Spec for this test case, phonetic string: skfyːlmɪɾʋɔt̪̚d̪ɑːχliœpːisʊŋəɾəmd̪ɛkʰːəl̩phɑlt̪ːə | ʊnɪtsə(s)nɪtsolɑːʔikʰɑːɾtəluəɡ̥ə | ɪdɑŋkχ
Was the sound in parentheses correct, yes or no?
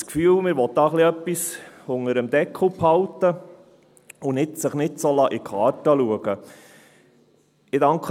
no